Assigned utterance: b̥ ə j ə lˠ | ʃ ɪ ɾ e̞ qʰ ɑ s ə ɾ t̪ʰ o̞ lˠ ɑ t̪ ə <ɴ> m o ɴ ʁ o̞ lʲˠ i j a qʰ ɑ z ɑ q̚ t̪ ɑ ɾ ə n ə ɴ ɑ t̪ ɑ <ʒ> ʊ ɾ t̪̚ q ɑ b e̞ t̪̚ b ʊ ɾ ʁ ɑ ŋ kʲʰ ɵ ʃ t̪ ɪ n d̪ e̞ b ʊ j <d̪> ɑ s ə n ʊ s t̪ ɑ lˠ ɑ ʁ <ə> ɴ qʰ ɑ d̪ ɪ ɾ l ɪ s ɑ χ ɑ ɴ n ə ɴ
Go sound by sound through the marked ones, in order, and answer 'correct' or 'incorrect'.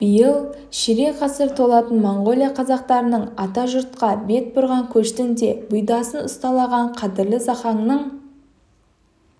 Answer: incorrect: n, correct, correct, incorrect: ɑ

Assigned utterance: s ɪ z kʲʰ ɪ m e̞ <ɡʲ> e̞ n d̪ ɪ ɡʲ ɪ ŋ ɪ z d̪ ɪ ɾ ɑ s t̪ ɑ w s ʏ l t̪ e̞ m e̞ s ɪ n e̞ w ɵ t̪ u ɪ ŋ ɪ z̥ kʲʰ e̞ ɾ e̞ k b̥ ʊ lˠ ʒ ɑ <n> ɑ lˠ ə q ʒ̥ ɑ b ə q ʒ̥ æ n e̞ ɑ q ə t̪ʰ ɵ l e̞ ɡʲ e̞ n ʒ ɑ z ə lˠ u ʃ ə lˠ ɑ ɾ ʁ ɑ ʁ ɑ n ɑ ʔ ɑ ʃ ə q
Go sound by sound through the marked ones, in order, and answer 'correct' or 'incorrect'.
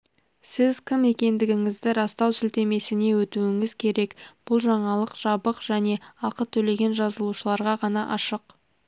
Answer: incorrect: kʲ, incorrect: ɴ

